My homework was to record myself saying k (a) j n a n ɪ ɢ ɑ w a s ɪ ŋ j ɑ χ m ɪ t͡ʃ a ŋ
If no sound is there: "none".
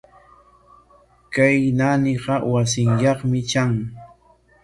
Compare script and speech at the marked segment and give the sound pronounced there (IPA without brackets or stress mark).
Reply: a